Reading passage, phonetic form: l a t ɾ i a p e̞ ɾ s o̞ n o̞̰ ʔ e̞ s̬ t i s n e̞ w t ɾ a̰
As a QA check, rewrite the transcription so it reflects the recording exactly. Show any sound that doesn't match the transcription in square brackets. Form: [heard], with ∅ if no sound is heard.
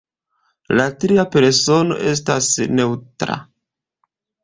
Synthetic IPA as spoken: l a t ɾ i a p e̞ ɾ s o̞ n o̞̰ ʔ e̞ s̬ t [a] s n e̞ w t ɾ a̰

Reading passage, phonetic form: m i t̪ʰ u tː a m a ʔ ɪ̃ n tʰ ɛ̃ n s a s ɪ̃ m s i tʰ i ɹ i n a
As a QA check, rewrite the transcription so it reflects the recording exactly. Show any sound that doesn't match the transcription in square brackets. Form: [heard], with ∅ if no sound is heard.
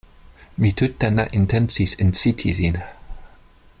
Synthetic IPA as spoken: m i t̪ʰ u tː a [n] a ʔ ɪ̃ n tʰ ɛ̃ n s [i] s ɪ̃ [n] s i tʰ i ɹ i n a

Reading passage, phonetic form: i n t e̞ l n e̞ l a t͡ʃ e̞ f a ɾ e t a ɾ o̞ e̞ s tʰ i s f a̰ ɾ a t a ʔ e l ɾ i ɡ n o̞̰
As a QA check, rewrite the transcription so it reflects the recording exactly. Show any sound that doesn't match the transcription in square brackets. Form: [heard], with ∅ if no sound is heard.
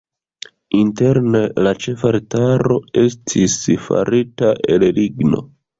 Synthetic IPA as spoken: i n t e̞ [ɾ] n e̞ l a t͡ʃ e̞ f a ɾ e t a ɾ o̞ e̞ s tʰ i s f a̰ ɾ [i] t a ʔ e l [l] i ɡ n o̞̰

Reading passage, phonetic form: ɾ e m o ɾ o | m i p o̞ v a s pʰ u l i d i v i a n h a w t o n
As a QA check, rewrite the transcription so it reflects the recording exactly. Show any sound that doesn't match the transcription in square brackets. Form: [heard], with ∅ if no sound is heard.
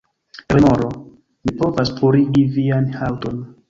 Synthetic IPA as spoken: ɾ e m o ɾ o | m i p o̞ v a s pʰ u [ɾ] i [ɡ] i v i a n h a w t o n

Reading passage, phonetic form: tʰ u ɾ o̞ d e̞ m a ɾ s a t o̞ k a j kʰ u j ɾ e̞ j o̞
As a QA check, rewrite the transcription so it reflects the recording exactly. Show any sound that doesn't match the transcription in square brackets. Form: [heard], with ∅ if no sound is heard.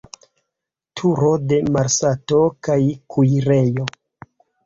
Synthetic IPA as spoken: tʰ u ɾ o̞ d e̞ m a ɾ s a t o̞ k a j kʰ u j ɾ e̞ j o̞

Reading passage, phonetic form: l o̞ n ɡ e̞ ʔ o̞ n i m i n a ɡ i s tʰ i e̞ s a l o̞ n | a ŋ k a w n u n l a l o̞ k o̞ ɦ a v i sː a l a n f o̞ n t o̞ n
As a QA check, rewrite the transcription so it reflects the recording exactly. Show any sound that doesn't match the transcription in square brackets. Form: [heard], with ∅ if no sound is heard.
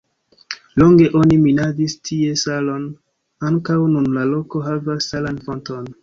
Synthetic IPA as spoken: l o̞ [ŋ] ɡ e̞ ʔ o̞ n i m i n a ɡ i s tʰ i e̞ s a l o̞ n | a ŋ k a w n u n l a l o̞ k o̞ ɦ a v [a] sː a l a n f o̞ n t o̞ n

